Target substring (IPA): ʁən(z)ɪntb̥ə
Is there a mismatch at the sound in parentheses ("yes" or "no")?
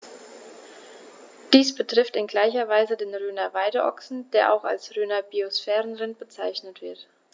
yes